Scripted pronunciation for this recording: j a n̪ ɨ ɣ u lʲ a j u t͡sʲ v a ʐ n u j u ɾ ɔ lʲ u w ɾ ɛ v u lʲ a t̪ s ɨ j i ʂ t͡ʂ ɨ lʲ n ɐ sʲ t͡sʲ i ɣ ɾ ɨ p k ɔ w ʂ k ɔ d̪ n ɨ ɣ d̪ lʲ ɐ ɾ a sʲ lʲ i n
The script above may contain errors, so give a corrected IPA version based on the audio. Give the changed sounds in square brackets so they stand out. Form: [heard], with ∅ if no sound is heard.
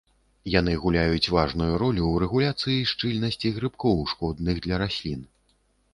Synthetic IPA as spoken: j a n̪ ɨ ɣ u lʲ a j u t͡sʲ v a ʐ n u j u ɾ ɔ lʲ u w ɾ ɛ [ɣ] u lʲ a t̪ s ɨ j i ʂ t͡ʂ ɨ lʲ n ɐ sʲ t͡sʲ i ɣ ɾ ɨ p k ɔ w ʂ k ɔ d̪ n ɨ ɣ d̪ lʲ ɐ ɾ a sʲ lʲ i n

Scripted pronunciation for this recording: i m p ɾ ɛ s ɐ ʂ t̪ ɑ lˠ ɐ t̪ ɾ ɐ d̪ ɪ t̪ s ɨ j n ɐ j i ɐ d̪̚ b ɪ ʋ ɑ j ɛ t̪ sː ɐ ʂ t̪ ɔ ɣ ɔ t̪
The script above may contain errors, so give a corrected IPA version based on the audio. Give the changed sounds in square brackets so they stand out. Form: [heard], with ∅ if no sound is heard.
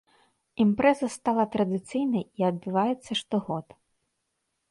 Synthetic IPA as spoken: i m p ɾ ɛ [z] ɐ [s] t̪ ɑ lˠ ɐ t̪ ɾ ɐ d̪ ɪ t̪ s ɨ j n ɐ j i ɐ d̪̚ b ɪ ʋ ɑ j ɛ t̪ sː ɐ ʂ t̪ ɔ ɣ ɔ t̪

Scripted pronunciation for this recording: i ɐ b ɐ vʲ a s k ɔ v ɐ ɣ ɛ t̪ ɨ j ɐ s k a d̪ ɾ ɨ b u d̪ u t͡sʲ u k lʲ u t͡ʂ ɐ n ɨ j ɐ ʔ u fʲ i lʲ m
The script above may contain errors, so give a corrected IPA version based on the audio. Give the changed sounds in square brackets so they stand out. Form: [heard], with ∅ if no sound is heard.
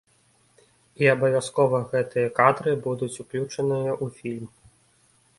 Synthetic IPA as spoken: i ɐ b ɐ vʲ a s k ɔ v ɐ ɣ ɛ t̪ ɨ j ɐ [∅] k a d̪ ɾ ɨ b u d̪ u t͡sʲ u k lʲ u t͡ʂ ɐ n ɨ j ɐ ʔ u fʲ i lʲ m

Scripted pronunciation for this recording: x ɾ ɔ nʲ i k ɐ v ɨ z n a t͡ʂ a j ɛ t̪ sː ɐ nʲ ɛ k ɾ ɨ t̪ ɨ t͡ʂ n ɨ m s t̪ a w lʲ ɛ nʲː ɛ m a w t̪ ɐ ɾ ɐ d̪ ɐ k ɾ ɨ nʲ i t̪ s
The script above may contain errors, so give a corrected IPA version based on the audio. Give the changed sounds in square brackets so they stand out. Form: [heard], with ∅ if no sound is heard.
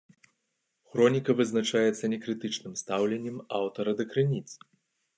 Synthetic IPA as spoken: x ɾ ɔ nʲ i k ɐ v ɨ z n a t͡ʂ a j ɛ t̪ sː ɐ nʲ ɛ k ɾ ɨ t̪ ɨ t͡ʂ n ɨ m s t̪ a w lʲ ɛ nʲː ɛ m a w t̪ ɐ ɾ ɐ d̪ ɐ k ɾ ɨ nʲ i t̪ s

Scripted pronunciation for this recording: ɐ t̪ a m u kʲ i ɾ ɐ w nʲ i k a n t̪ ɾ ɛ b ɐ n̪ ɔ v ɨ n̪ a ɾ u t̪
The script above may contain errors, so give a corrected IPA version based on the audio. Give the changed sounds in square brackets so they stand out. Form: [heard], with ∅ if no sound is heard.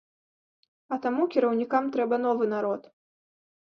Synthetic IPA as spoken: ɐ t̪ a m u kʲ i ɾ ɐ w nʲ i k a [m] t̪ ɾ ɛ b ɐ n̪ ɔ v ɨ n̪ a ɾ [ɔ] t̪

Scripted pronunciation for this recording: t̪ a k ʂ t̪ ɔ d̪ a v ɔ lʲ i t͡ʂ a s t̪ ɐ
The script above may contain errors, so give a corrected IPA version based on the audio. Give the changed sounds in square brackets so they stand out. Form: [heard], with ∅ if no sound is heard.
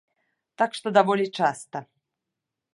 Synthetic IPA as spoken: t̪ a k ʂ t̪ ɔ d̪ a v ɔ lʲ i t͡ʂ a s t̪ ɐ

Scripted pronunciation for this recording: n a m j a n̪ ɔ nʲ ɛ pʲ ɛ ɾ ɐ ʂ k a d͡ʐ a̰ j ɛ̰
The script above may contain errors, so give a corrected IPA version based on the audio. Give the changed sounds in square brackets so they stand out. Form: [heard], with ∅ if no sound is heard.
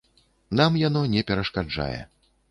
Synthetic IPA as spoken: n a m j a n̪ ɔ nʲ ɛ pʲ ɛ ɾ ɐ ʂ k a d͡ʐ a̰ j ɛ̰

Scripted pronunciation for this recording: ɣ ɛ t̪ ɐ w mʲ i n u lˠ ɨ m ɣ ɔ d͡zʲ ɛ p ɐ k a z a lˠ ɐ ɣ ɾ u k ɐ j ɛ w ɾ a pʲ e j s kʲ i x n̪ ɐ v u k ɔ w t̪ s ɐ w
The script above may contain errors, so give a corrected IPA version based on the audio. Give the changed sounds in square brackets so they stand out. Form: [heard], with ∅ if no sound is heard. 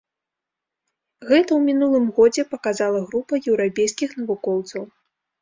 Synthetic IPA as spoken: ɣ ɛ t̪ ɐ w mʲ i n u lˠ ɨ m ɣ ɔ d͡zʲ ɛ p ɐ k a z a lˠ ɐ ɣ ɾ u [p] ɐ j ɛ w ɾ a pʲ e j s kʲ i x n̪ ɐ v u k ɔ w t̪ s ɐ w

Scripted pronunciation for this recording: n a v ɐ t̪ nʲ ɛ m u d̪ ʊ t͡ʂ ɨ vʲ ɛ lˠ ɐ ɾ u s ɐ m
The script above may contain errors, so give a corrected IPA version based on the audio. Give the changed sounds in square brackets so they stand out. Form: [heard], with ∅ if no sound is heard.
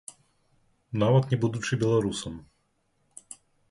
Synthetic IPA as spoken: n a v ɐ t̪ nʲ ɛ [b] u d̪ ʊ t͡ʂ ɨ [bʲ] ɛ lˠ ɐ ɾ u s ɐ m

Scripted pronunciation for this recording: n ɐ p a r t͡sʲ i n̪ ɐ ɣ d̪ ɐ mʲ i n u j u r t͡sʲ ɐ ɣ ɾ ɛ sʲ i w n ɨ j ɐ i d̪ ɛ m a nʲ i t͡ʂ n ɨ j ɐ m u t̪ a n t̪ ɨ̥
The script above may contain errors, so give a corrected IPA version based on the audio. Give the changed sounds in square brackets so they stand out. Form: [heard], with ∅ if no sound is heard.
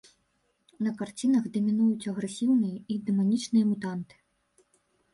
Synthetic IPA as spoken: n ɐ [k] a r t͡sʲ i n̪ ɐ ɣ d̪ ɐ mʲ i n u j u [∅] t͡sʲ ɐ ɣ ɾ ɛ sʲ i w n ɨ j ɐ i d̪ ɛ m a nʲ i t͡ʂ n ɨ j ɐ m u t̪ a n t̪ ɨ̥

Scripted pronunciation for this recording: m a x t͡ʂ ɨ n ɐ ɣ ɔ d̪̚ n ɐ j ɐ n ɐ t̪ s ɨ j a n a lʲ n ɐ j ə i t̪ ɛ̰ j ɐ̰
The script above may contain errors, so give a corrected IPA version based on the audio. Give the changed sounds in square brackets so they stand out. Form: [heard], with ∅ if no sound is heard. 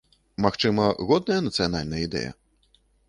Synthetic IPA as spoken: m a x t͡ʂ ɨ [m] ɐ ɣ ɔ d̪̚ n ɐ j ɐ n ɐ t̪ s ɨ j a n a lʲ n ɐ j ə i [d̪] ɛ̰ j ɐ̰

